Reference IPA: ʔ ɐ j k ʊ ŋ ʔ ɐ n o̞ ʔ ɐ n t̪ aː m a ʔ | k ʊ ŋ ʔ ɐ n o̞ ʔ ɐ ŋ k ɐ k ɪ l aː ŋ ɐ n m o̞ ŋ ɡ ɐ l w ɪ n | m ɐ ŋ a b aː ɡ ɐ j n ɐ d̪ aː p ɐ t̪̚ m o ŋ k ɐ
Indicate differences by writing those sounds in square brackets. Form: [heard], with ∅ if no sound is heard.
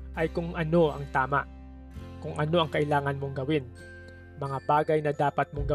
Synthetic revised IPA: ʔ ɐ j k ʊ ŋ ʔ ɐ n o̞ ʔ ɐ [ŋ] t̪ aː m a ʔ | k ʊ ŋ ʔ ɐ n o̞ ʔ ɐ ŋ k ɐ [ʔ] ɪ l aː ŋ ɐ n m o̞ ŋ ɡ ɐ [∅] w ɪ n | m ɐ ŋ a b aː ɡ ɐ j n ɐ d̪ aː p ɐ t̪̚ m o ŋ [ɡ] ɐ